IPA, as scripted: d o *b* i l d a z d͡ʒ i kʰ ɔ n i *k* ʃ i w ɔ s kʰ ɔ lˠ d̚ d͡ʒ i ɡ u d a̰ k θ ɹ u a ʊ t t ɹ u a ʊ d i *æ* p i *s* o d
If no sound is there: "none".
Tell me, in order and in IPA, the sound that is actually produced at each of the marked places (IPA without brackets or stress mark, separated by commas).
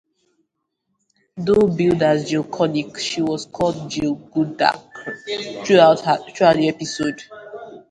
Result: b, k, ɛ, s